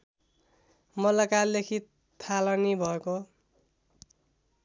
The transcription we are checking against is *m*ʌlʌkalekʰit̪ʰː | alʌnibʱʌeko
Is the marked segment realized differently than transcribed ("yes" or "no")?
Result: no